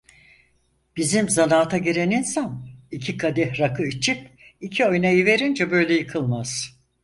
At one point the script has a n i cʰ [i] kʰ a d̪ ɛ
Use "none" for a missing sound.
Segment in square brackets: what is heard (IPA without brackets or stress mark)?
i